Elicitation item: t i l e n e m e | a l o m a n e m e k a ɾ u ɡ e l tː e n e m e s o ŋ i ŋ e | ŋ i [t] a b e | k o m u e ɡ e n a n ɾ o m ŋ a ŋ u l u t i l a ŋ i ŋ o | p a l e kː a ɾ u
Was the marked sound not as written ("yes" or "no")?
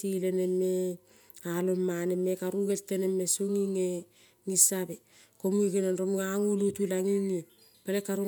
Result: yes